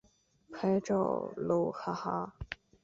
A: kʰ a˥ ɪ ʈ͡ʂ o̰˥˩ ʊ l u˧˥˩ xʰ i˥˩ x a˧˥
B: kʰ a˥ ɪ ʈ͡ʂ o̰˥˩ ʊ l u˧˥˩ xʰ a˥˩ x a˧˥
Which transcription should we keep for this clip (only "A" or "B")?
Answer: B